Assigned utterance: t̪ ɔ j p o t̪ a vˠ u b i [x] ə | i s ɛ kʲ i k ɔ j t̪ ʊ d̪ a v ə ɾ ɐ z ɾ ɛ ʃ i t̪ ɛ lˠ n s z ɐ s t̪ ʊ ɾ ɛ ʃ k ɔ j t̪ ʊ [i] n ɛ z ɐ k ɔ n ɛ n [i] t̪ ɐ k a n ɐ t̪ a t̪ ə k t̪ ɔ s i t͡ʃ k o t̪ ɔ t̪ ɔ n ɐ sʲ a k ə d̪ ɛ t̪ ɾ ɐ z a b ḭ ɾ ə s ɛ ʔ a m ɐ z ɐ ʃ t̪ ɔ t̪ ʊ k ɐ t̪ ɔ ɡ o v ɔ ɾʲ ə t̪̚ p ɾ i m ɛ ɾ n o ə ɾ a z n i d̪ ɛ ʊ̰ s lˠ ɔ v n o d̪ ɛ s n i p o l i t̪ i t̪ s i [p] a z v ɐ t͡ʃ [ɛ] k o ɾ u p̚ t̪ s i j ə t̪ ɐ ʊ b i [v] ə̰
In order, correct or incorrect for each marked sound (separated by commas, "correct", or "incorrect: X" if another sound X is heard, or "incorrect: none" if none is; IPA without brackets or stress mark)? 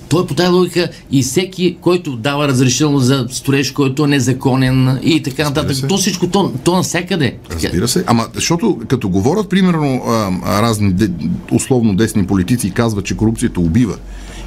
incorrect: k, incorrect: ɛ, correct, incorrect: k, correct, correct